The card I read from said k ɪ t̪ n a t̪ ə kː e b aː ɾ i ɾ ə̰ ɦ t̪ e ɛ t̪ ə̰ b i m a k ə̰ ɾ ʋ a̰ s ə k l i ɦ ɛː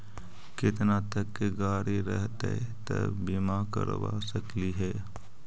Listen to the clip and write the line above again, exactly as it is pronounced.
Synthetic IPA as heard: k ɪ t̪ n a t̪ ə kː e ɡ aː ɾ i ɾ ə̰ ɦ t̪ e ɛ t̪ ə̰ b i m a k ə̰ ɾ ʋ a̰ s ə k l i ɦ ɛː